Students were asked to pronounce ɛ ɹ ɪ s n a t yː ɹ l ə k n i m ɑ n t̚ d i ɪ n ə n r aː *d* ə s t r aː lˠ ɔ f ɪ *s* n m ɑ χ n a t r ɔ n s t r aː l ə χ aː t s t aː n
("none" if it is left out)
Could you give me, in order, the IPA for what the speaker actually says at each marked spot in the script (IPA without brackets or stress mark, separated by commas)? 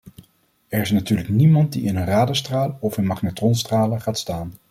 d, none